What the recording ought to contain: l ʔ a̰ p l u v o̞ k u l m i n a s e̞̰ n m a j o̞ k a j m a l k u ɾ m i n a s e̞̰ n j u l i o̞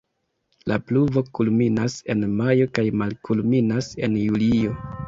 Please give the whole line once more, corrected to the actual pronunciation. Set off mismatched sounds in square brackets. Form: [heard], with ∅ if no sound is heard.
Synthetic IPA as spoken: l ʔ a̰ p l u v o̞ k u l m i n a s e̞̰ n m a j o̞ k a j m a l k u [l] m i n a s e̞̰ n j u l i o̞